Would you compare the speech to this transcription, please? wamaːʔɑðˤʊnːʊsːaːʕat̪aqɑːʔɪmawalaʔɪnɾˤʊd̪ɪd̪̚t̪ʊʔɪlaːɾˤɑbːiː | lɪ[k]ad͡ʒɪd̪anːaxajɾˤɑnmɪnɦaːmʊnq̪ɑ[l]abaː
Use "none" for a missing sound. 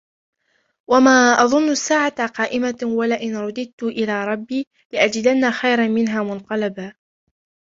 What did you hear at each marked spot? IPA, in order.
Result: ʔ, l

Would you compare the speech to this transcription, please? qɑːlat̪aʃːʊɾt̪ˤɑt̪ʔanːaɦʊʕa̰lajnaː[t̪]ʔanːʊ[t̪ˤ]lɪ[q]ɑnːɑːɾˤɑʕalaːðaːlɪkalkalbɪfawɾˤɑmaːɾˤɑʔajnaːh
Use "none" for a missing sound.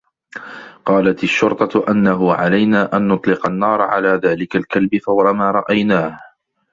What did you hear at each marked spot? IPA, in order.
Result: none, t̪ˤ, q

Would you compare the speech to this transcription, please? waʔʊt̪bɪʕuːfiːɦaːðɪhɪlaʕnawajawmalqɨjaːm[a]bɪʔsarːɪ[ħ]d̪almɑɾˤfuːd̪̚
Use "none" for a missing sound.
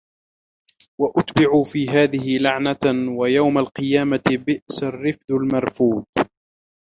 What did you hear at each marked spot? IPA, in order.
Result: a, f

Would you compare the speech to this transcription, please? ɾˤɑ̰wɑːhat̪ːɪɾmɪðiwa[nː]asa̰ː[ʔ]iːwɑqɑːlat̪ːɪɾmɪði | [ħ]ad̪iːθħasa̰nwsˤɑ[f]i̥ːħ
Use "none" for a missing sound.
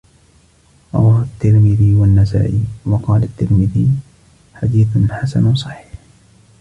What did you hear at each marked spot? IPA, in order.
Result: nː, ʔ, ħ, ħ

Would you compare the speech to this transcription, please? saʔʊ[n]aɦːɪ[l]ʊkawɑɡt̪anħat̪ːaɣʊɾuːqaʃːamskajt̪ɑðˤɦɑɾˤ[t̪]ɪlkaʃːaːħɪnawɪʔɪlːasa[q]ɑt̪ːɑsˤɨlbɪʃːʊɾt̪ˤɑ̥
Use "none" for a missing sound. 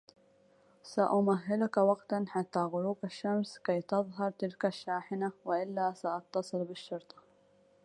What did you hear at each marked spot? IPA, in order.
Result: m, l, t̪, ʔ

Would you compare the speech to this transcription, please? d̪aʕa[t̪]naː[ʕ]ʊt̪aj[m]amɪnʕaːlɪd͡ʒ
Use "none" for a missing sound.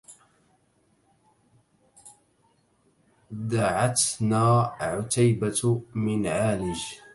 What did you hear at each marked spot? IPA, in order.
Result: t̪, ʕ, b

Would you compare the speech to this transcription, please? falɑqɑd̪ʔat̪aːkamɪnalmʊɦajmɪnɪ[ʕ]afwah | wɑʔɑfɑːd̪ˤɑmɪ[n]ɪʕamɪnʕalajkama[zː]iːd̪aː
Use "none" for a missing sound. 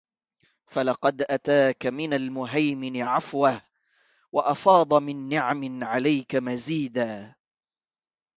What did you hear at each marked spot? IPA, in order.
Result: ʕ, nː, z

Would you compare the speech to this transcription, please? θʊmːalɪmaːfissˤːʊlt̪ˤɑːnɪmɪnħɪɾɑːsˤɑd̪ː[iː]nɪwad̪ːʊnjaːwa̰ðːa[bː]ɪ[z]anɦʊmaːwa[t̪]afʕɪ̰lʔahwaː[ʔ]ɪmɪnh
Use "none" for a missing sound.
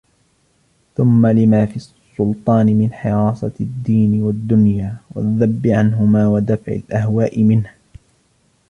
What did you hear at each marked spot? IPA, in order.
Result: iː, bː, ʕ, d̪, ʔ

